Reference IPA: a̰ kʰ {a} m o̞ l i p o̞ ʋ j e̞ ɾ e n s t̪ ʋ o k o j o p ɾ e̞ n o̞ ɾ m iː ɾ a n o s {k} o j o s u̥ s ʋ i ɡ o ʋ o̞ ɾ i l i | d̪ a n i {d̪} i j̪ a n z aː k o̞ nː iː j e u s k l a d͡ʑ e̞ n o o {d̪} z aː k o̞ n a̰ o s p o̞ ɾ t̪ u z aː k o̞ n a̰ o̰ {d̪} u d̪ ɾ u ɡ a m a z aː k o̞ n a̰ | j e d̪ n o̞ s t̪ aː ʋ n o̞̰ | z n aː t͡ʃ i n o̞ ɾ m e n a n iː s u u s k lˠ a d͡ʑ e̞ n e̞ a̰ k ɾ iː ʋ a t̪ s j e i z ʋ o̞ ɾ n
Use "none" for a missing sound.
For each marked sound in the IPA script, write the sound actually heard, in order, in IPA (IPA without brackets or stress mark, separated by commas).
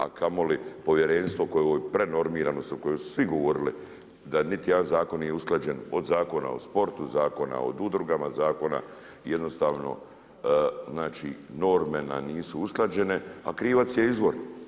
a, k, t̪, d̪, d̪